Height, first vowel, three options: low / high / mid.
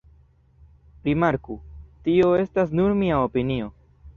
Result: high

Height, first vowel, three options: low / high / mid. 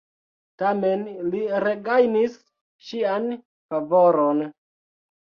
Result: low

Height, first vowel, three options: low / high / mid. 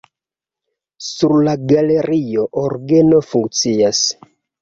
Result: high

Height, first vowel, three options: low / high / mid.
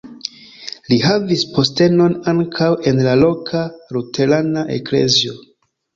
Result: high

